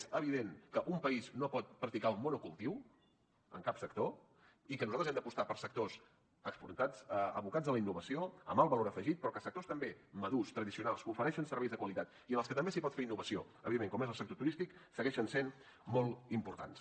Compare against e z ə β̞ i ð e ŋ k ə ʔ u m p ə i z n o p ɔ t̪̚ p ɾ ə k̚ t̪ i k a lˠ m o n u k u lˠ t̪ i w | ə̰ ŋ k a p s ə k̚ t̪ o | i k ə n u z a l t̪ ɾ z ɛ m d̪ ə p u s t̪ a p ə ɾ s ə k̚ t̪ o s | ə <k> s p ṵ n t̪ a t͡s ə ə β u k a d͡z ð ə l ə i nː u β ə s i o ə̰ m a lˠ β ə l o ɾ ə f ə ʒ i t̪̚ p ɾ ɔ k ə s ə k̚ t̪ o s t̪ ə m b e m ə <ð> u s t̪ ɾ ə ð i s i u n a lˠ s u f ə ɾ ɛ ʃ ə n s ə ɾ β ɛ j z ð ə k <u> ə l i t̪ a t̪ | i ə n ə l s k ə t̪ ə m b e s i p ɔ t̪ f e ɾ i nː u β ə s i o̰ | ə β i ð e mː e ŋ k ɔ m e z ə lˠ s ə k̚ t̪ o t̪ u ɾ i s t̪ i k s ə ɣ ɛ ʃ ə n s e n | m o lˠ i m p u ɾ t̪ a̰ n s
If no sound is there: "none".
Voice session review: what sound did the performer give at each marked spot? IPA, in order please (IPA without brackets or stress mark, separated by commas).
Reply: k, ð, w